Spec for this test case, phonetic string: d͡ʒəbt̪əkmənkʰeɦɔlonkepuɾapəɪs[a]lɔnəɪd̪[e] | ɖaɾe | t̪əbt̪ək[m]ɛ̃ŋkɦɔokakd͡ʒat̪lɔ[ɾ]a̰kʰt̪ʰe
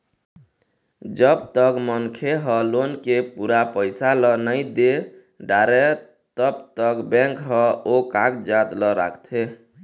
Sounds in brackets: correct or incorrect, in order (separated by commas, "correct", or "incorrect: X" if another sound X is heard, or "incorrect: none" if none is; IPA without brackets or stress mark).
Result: correct, correct, incorrect: b, correct